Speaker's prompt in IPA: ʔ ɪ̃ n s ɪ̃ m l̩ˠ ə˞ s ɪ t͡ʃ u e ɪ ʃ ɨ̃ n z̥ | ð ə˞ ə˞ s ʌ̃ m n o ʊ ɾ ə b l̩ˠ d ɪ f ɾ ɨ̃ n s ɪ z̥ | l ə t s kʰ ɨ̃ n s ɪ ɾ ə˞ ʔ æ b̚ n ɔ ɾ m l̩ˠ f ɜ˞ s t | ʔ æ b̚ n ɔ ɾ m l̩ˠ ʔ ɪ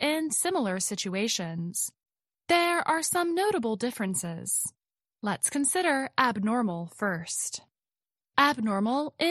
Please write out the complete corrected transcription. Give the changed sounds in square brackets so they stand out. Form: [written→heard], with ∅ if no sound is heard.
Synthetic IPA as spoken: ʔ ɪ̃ n s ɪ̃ m l̩ˠ ə˞ s ɪ t͡ʃ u e ɪ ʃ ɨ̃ n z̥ | ð ə˞ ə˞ s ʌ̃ m n o ʊ ɾ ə b l̩ˠ d ɪ f [ɾ→ɹ] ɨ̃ n s ɪ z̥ | l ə t s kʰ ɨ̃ n s ɪ ɾ ə˞ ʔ æ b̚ n ɔ [ɾ→ɹ] m l̩ˠ f ɜ˞ s t | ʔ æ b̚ n ɔ [ɾ→ɹ] m l̩ˠ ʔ ɪ